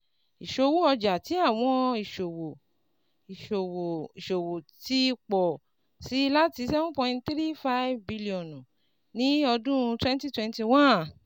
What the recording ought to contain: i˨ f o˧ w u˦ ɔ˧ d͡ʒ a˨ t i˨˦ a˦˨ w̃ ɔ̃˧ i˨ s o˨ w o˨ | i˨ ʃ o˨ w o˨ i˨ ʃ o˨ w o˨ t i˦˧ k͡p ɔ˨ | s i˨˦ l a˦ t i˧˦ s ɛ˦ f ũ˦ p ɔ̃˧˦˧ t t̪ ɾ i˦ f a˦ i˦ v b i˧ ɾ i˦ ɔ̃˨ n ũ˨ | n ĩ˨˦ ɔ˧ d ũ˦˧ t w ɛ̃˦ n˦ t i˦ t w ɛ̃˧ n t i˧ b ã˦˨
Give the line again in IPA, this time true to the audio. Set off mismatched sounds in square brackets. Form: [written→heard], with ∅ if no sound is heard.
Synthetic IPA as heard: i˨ [f→ʃ] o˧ w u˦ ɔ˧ d͡ʒ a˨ t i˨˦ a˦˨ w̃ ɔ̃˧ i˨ [s→ʃ] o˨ w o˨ | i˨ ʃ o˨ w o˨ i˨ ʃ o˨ w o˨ t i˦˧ k͡p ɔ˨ | s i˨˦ l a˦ t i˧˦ s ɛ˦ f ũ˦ p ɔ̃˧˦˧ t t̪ ɾ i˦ f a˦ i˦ v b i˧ [ɾ→l] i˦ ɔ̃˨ n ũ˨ | n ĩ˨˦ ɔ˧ d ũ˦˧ t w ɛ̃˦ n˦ t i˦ t w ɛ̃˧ n t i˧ [b→w] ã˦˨